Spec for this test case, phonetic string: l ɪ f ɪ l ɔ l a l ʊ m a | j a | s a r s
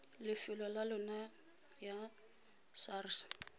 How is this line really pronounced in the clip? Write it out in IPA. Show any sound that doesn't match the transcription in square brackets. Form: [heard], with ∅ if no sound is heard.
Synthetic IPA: l ɪ f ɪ l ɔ l a l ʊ [n] a | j a | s a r s

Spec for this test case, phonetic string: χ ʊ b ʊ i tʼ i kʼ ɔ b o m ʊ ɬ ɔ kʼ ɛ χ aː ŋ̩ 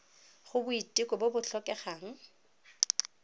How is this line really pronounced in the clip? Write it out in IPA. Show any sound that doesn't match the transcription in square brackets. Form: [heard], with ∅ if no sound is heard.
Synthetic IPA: χ ʊ b ʊ i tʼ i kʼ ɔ b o [b] ʊ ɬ ɔ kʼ ɛ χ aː ŋ̩

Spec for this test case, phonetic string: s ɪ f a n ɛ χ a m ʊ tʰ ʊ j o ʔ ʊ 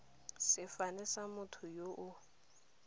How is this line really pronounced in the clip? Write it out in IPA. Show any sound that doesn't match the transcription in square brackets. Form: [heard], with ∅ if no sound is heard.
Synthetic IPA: s ɪ f a n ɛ [s] a m ʊ tʰ ʊ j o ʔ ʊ

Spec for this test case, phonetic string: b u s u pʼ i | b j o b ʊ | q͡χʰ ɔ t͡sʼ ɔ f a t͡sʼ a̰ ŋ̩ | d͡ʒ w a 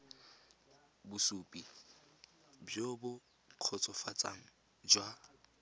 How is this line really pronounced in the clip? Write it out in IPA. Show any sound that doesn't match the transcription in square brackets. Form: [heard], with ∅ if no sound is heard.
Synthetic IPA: b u s u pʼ i | b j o b ʊ | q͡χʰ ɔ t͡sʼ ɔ f a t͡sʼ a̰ ŋ̩ | d͡ʒ w a

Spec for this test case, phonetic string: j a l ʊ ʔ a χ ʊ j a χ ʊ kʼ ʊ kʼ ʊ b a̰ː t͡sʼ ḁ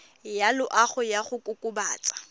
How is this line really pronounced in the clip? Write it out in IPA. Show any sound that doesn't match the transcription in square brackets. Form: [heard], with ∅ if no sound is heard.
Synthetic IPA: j a l ʊ ʔ a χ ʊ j a χ ʊ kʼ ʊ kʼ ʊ b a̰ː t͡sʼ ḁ

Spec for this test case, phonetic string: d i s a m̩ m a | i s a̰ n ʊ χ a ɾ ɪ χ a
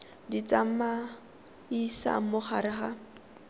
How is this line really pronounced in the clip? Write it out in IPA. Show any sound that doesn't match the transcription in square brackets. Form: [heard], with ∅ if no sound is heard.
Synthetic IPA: d i [t͡s] a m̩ m a | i s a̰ [m] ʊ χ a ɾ ɪ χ a

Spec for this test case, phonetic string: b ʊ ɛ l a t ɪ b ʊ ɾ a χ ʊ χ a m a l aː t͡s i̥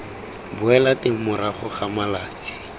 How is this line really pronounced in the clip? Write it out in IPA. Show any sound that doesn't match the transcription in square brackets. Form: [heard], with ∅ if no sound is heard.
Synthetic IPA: b ʊ ɛ l a t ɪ [m] ʊ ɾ a χ ʊ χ a m a l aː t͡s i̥

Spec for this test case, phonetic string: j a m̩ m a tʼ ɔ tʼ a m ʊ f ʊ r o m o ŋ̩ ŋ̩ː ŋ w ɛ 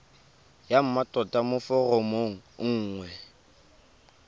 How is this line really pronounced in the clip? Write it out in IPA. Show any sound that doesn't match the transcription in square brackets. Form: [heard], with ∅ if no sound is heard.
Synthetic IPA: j a m̩ m a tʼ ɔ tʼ a m ʊ f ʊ r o m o ŋ̩ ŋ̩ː ŋ w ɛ

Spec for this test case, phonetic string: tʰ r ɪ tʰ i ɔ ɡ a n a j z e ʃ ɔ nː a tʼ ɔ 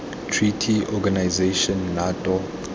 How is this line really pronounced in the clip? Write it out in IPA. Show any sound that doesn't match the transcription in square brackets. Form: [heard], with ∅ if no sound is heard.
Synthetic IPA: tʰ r [i] tʰ i ɔ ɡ a n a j z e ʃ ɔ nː a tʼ ɔ

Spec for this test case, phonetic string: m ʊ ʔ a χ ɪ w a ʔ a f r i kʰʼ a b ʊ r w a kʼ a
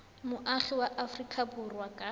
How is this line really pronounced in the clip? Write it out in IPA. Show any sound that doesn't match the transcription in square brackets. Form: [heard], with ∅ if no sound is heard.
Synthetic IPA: m ʊ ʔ a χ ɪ w a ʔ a f r i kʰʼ a b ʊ r w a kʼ a

